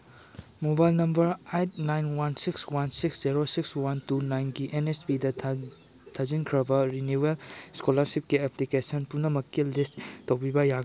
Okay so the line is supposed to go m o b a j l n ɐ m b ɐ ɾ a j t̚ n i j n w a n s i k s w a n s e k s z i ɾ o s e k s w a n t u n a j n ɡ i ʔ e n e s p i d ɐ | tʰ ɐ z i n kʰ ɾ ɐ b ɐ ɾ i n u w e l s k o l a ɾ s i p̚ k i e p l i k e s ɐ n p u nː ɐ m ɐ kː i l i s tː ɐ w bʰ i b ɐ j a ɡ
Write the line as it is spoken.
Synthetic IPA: m o b a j l n ɐ m b ɐ ɾ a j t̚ n a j n w a n s i k s w a n s i k s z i ɾ o s i k s w a n t u n a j n ɡ i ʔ e n e s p i d ɐ | tʰ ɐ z i n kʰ ɾ ɐ b ɐ ɾ i n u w e l s k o l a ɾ s i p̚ k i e p l i k e s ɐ n p u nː ɐ m ɐ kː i l i s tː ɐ w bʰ i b ɐ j a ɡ